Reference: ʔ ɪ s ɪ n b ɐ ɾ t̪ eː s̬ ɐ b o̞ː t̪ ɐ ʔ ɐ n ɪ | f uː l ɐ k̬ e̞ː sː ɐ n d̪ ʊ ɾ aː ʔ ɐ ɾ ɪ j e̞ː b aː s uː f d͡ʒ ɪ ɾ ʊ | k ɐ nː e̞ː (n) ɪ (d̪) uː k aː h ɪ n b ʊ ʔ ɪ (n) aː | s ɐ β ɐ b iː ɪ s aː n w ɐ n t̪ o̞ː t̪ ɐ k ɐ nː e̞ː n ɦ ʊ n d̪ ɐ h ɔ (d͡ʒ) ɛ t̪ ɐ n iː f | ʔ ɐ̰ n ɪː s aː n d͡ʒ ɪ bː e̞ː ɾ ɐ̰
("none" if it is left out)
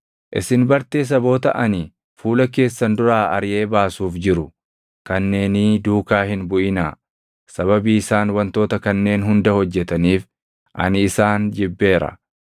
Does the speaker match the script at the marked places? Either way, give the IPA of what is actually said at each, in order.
n, d̪, n, d͡ʒː

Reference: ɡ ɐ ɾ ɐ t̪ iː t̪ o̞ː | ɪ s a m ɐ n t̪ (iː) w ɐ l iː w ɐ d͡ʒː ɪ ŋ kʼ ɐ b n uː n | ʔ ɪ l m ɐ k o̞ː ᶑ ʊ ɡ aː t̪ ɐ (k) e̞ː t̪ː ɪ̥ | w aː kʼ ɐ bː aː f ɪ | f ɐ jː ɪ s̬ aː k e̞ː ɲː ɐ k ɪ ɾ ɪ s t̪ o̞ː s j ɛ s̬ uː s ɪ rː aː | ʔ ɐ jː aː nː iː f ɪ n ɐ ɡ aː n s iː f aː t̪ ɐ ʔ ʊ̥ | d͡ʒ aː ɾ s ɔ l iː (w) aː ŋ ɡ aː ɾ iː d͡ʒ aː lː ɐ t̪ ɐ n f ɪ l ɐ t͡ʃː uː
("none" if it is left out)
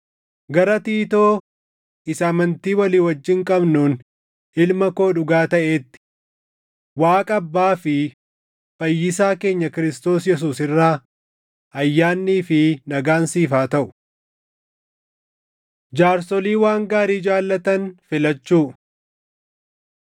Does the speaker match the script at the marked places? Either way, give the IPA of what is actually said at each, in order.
iː, ʔ, w

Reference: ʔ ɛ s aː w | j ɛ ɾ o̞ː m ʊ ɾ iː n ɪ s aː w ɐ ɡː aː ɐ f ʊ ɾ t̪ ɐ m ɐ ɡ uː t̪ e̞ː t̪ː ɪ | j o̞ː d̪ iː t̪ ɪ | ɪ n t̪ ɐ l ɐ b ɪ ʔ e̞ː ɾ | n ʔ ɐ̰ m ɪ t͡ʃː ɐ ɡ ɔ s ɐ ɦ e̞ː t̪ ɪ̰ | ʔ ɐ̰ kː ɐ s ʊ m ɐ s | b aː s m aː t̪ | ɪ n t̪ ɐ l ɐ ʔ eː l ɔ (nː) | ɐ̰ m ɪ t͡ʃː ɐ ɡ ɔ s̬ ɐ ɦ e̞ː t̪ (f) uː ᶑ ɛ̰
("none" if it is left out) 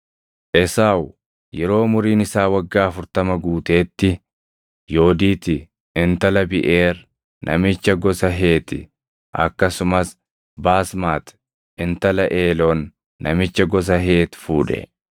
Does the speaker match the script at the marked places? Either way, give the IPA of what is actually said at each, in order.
nː, f

